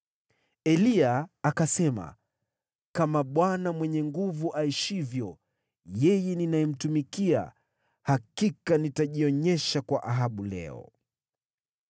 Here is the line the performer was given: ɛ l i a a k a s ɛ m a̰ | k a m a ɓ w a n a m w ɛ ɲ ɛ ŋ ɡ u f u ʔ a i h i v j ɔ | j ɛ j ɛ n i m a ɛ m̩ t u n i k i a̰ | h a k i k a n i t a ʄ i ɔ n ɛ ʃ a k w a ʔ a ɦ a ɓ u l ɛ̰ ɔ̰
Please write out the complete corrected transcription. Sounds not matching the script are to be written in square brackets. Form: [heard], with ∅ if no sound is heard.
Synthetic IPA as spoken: ɛ l i a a k a s ɛ m a̰ | k a m a ɓ w a n a m w ɛ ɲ ɛ ŋ ɡ u [v] u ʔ a i [ʃ] i v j ɔ | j ɛ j ɛ n i [n] a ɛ m̩ t u [m] i k i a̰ | h a k i k a n i t a ʄ i ɔ [ɲ] ɛ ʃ a k w a ʔ a ɦ a ɓ u l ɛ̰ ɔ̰